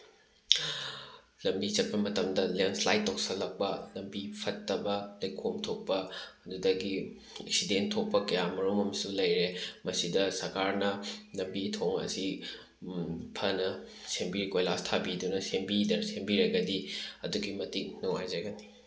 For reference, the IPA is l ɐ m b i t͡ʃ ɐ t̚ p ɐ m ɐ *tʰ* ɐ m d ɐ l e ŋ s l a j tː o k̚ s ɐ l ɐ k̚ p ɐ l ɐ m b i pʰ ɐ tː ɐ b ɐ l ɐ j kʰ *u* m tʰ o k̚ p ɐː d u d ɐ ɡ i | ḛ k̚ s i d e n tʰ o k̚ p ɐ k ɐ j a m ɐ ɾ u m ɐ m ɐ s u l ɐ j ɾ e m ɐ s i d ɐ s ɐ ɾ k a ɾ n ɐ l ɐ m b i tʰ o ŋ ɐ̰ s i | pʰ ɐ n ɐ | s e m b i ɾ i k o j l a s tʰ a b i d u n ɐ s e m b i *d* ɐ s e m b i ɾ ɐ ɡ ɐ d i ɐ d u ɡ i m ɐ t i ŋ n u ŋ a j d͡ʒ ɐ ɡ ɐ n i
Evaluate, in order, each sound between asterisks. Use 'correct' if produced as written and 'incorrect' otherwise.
incorrect: t, incorrect: o, correct

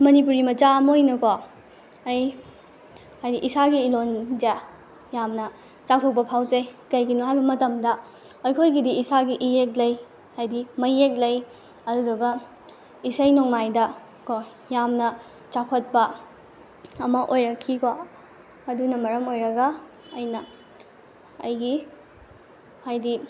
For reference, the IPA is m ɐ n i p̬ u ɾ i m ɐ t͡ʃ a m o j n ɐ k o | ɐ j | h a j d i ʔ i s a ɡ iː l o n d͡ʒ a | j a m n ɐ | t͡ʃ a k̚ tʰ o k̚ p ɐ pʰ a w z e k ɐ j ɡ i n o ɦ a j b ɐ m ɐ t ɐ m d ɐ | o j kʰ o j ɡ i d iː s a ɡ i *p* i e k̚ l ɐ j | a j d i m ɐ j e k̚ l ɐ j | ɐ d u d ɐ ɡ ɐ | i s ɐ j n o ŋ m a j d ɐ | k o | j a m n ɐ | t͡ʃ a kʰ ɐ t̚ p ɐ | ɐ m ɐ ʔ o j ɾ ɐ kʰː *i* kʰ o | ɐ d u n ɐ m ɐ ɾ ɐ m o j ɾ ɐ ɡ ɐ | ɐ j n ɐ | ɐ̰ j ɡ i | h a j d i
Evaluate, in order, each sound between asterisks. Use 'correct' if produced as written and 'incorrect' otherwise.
incorrect: ʔ, correct

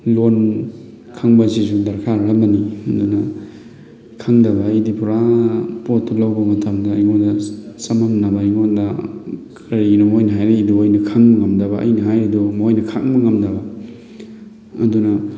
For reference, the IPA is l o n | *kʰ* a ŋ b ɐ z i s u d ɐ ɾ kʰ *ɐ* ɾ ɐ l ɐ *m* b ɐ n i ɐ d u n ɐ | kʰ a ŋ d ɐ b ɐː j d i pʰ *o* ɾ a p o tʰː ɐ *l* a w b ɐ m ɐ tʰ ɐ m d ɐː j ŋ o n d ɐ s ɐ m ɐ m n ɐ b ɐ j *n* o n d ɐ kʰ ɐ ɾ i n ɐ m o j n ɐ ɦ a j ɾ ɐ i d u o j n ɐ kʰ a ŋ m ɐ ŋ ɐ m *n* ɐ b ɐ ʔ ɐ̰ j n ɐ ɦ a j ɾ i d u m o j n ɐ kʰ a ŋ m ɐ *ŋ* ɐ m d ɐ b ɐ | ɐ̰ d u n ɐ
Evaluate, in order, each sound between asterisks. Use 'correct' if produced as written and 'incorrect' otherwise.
correct, incorrect: a, correct, incorrect: u, correct, incorrect: ŋ, incorrect: d, correct

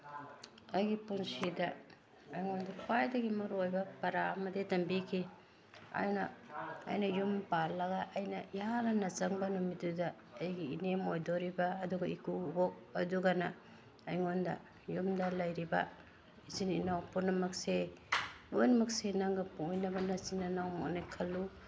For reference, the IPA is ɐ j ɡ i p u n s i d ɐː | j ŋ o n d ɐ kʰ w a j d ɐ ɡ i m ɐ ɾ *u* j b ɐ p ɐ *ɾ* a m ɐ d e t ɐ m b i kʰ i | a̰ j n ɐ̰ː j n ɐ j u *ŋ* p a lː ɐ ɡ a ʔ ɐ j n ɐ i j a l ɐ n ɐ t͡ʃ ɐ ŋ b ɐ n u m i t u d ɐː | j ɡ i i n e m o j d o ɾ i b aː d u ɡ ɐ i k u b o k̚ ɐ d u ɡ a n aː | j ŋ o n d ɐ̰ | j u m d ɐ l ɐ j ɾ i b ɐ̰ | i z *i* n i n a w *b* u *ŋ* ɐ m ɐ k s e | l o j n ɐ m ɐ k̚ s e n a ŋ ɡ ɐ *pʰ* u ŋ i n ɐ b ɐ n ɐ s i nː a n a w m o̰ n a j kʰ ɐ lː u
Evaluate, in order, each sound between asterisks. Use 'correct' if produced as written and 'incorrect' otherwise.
incorrect: o, correct, incorrect: m, correct, incorrect: p, incorrect: n, incorrect: p

